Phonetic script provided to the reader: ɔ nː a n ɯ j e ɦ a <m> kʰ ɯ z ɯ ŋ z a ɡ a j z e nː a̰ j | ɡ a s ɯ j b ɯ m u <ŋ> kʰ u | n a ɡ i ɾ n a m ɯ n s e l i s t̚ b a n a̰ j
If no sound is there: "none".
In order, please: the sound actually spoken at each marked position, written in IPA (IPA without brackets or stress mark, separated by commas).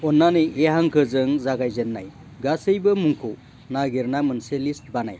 ŋ, ŋ